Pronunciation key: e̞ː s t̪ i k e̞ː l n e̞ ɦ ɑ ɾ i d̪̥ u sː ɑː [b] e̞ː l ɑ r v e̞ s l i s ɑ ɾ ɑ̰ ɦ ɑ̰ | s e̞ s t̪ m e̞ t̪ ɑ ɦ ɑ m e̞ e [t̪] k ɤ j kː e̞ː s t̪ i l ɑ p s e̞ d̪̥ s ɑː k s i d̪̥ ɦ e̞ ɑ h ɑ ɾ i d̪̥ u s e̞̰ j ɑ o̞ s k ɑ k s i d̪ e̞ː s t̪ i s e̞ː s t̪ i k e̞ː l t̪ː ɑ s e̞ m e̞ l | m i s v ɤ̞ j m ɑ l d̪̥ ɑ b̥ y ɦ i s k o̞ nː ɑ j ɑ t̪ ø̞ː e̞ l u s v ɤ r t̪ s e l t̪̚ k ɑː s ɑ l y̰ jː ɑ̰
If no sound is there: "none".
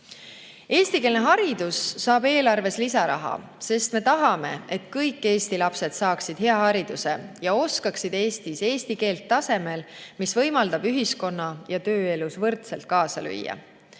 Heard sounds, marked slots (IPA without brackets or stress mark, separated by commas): b, t̪